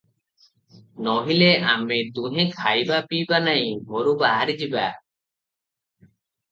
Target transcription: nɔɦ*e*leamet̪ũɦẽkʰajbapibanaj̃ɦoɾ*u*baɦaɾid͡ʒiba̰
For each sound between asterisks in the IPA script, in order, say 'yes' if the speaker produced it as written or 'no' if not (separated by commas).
no, yes